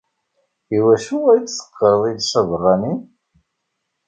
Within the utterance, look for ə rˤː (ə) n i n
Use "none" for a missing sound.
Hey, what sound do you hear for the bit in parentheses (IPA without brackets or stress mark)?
ɑ